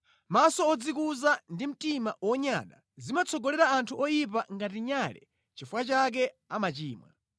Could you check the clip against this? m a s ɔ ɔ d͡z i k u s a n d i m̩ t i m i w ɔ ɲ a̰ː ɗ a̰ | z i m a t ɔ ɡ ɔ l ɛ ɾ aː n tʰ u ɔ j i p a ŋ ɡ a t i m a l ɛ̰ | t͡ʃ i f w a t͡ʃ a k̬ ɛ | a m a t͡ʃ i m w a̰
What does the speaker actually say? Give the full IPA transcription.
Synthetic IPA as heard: m a s ɔ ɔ d͡z i k u z a n d i m̩ t i m a w ɔ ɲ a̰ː ɗ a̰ | z i m a t͡sʰ ɔ ɡ ɔ l ɛ ɾ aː n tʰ u ɔ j i p a ŋ ɡ a t i ɲ a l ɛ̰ | t͡ʃ i f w a t͡ʃ a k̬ ɛ | a m a t͡ʃ iː m w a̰